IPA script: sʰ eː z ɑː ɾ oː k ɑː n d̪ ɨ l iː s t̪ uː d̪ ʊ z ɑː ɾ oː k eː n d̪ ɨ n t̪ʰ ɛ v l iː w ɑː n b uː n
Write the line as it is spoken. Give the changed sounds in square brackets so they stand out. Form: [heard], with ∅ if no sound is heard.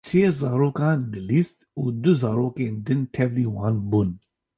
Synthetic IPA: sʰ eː z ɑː ɾ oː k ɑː n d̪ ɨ l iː s t̪ uː d̪ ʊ z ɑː ɾ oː k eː n d̪ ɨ n t̪ʰ ɛ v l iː w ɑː n b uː n